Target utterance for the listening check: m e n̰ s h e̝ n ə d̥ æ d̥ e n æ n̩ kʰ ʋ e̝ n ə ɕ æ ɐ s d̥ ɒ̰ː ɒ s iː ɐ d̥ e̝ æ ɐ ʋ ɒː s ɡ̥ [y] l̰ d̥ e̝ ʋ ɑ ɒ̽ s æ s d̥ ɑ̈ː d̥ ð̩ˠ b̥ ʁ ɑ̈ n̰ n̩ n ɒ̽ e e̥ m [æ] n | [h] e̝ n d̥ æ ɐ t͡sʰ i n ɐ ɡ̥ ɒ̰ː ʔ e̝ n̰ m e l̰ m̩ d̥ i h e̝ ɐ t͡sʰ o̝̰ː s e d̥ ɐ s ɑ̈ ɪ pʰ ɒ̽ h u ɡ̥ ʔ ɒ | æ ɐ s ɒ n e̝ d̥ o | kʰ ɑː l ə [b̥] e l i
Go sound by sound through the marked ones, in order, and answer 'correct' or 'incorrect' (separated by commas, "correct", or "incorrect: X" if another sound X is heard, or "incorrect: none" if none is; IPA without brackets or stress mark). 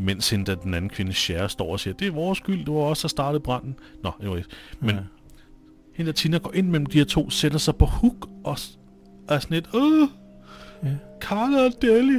correct, incorrect: e, correct, incorrect: d̥